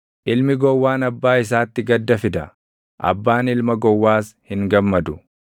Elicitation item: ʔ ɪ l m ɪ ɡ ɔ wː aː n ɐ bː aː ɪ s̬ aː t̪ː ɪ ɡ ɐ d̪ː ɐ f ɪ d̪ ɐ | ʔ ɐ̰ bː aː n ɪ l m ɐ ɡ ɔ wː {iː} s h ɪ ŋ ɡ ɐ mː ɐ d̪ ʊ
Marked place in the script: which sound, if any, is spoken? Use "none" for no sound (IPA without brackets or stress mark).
aː